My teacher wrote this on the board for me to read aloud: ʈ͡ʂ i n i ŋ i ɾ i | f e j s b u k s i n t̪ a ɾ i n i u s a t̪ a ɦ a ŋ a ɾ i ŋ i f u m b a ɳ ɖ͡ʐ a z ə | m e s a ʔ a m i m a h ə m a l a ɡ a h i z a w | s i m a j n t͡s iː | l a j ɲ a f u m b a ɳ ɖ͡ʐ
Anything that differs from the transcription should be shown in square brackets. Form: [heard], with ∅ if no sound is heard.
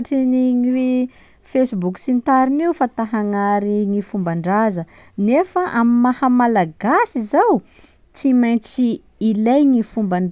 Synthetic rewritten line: ʈ͡ʂ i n i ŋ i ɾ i | f e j s b u k s i n t̪ a ɾ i n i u [f] a t̪ a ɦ a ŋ a ɾ i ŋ i f u m b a ɳ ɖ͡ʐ a z ə | [n] e [f] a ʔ a m i m a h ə m a l a ɡ a [s] i z a w | [t͡s] i m a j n t͡s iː | l a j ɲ [i] f u m b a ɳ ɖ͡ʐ

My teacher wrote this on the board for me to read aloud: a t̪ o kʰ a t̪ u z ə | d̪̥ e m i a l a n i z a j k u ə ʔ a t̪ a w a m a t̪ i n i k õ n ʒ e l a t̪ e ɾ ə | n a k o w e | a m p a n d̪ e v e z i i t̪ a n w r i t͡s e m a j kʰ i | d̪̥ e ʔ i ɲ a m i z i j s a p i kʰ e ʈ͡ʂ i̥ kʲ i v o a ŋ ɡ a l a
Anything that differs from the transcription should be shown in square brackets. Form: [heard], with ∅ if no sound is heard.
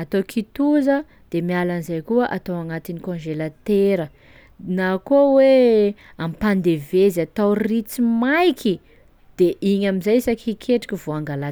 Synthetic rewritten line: a t̪ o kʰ [i] t̪ u z ə | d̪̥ e m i a l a n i z a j k u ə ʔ a t̪ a w a [ŋ] a t̪ i n i k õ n ʒ e l a t̪ e ɾ ə | n a k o w e | a m p a n d̪ e v e z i [a] t̪ a [∅] w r i t͡s [i] m a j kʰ i | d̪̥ e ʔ i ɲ a m i z [a] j s a [k] i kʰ e ʈ͡ʂ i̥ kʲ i v o a ŋ ɡ a l a

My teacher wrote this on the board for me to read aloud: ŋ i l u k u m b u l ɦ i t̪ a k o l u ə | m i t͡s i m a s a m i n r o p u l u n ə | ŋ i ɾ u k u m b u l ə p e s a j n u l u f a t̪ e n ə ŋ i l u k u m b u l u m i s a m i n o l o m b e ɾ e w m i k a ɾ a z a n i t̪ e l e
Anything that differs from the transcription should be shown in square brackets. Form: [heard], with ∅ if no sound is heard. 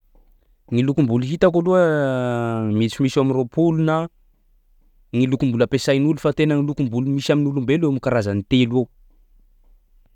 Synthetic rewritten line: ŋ i l u k u m b u l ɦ i t̪ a k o l u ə | m i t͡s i m [i] s a m i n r o p u l u n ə | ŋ i [l] u k u m b u l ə p e s a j n u l u f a t̪ e n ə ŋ i l u k u m b u l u m i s a m i n [u] l [u] m b e [l] e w m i k a ɾ a z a n i t̪ e l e

